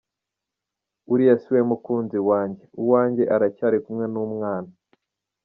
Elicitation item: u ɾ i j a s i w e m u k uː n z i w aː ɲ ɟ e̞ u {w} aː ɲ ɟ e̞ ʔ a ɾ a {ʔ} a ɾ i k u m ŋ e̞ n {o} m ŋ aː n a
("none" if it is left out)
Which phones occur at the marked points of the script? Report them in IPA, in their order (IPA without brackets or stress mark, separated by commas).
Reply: w, c, u